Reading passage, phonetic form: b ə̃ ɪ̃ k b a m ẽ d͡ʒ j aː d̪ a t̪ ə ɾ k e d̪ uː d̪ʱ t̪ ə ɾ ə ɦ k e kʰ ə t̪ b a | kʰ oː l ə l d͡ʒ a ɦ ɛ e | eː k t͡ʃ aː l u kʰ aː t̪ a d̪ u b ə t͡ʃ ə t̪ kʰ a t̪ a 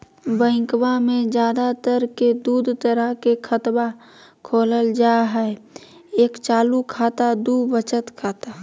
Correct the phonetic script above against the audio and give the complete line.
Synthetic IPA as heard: b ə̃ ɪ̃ k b a m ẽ d͡ʒ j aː d̪ a t̪ ə ɾ k e d̪ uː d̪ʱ t̪ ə ɾ ə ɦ k e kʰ ə t̪ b a | kʰ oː l ə l d͡ʒ a ɦ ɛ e | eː k t͡ʃ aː l u kʰ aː t̪ a d̪ u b ə t͡ʃ ə t̪ kʰ a t̪ a

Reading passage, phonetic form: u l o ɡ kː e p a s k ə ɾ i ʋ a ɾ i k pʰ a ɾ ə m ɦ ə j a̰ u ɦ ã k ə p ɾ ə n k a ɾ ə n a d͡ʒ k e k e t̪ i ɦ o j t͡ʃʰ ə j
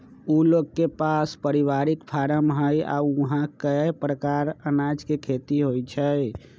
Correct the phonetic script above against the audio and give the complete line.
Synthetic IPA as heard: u l o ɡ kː e p a s p ə ɾ i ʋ a ɾ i k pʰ a ɾ ə m ɦ ə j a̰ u ɦ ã k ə p ɾ ə k a ɾ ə n a d͡ʒ k e kʰ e t̪ i ɦ o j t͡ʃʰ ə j

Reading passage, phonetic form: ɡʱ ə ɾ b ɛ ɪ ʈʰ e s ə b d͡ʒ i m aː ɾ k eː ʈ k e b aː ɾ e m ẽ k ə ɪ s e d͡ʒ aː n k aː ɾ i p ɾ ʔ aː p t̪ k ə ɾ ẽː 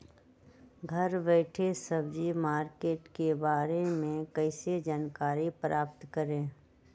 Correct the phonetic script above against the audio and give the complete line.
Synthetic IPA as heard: ɡʱ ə ɾ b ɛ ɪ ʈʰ e s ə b d͡ʒ i m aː ɾ k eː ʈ k e b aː ɾ e m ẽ k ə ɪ s e d͡ʒ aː n k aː ɾ i p ɾ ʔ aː p t̪ k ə ɾ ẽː

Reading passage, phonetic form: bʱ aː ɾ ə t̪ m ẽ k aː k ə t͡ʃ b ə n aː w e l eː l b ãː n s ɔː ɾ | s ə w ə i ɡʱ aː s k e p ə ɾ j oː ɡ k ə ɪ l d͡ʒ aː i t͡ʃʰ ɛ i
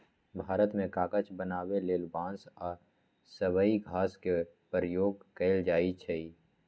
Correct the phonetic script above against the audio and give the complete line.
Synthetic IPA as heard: bʱ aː ɾ ə t̪ m ẽ k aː k ə t͡ʃ b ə n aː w e l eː l b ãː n s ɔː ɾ | s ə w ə i ɡʱ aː s k e p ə ɾ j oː ɡ k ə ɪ l d͡ʒ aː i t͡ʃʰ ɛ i

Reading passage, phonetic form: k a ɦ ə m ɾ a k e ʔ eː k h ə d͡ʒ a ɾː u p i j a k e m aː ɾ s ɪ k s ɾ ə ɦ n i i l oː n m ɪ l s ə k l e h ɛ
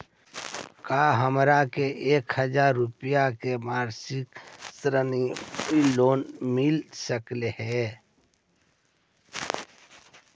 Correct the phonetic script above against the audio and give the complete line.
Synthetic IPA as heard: k a ɦ ə m ɾ a k e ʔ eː k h ə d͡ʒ a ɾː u p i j a k e m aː ɾ s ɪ k s ɾ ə n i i l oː n m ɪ l s ə k l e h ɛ

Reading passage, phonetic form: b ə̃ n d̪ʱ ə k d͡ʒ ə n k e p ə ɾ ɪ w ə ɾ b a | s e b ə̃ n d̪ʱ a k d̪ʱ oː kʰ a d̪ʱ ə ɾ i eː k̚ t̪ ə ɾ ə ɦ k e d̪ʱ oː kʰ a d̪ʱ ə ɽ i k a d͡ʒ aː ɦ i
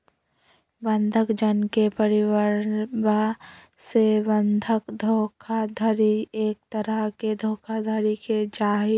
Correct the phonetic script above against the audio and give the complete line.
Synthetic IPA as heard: b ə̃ n d̪ʱ ə k d͡ʒ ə n k e p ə ɾ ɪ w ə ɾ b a | s e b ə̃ n d̪ʱ ə k d̪ʱ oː kʰ a d̪ʱ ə ɾ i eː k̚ t̪ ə ɾ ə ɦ k e d̪ʱ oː kʰ a d̪ʱ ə ɾ i k e d͡ʒ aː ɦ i

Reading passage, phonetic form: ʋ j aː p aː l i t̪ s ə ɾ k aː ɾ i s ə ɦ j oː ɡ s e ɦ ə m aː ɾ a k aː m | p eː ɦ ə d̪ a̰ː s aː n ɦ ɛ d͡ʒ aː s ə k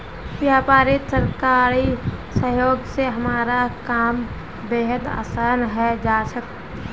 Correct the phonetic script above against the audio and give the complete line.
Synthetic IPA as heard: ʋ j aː p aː ɾ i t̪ s ə ɾ k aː ɾ i s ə ɦ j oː ɡ s e ɦ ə m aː ɾ a k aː m | b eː ɦ ə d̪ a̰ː s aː n ɦ ɛ d͡ʒ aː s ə k

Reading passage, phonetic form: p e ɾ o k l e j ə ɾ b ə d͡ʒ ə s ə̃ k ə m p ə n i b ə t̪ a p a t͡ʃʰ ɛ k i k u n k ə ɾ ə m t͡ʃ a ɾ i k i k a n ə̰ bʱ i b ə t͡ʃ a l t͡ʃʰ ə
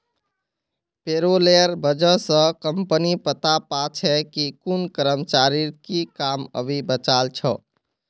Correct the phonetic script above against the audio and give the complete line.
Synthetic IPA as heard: p e ɾ o l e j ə ɾ b ə d͡ʒ ə s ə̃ k ə m p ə n i p ə t̪ a p a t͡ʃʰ ɛ k i k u n k ə ɾ ə m t͡ʃ a ɾ i k i k a m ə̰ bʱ i b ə t͡ʃ a l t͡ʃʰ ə

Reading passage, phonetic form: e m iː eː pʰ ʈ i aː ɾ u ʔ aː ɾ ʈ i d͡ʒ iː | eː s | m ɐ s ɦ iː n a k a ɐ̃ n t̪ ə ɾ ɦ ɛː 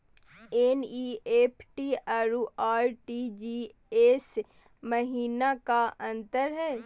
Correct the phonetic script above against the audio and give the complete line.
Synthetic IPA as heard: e n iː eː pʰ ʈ i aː ɾ u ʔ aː ɾ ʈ i d͡ʒ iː | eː s | m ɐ ɦ iː n a k a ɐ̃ n t̪ ə ɾ ɦ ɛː

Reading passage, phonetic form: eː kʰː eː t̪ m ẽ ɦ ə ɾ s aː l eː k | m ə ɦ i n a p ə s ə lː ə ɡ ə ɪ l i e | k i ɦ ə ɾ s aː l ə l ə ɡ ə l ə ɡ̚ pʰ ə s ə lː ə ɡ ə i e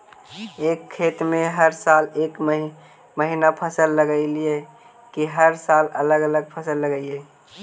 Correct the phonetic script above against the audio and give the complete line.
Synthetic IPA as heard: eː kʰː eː t̪ m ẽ ɦ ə ɾ s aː l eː k | m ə ɦ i n a pʰ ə s ə lː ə ɡ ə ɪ l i e | k i ɦ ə ɾ s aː l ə l ə ɡ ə l ə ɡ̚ pʰ ə s ə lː ə ɡ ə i e

